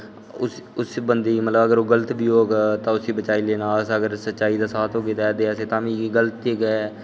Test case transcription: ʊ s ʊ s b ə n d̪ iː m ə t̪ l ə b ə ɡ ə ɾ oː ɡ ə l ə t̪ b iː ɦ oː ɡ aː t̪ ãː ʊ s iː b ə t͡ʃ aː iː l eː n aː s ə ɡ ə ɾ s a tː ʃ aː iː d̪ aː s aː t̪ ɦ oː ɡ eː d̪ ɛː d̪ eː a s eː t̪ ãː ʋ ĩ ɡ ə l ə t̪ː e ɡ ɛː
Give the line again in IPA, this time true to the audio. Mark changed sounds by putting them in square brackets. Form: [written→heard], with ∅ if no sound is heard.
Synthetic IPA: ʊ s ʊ s b ə n d̪ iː m ə t̪ l ə b ə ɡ ə ɾ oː ɡ ə l ə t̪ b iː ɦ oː ɡ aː t̪ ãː ʊ s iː b ə t͡ʃ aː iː l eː n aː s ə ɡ ə ɾ s [a→ə] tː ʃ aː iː d̪ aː s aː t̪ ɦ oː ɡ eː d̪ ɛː d̪ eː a s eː t̪ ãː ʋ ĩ ɡ ə l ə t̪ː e ɡ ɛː